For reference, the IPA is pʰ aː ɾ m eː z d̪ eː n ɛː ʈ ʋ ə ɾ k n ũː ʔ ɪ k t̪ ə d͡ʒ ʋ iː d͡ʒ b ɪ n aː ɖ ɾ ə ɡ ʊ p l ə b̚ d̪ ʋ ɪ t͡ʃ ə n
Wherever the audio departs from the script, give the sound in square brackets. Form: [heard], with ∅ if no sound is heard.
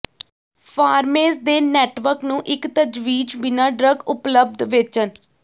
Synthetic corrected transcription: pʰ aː ɾ m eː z d̪ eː n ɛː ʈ ʋ ə ɾ k n ũː ʔ ɪ k t̪ ə d͡ʒ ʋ iː d͡ʒ b ɪ n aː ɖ ɾ ə ɡ ʊ p l ə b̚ d̪ ʋ ɪ t͡ʃ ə n

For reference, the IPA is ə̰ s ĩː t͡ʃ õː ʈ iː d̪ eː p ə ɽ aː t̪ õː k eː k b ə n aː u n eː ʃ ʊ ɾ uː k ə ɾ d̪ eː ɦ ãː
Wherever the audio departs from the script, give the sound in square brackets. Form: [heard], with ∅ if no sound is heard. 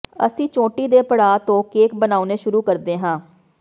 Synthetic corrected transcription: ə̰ s ĩː t͡ʃ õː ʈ iː d̪ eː p ə ɽ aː t̪ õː k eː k b ə n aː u n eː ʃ ʊ ɾ uː k ə ɾ d̪ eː ɦ ãː

